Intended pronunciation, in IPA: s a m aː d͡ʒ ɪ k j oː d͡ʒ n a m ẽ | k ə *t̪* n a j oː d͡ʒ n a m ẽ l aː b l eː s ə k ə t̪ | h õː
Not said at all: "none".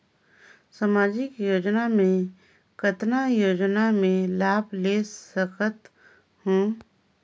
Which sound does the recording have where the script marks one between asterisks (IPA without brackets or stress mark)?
t̪